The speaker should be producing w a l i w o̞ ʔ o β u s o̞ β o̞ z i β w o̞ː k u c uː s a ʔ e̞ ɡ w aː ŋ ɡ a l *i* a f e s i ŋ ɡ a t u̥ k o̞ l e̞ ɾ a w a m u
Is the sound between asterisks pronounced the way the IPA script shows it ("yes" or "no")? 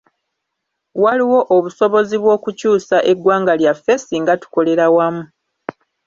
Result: no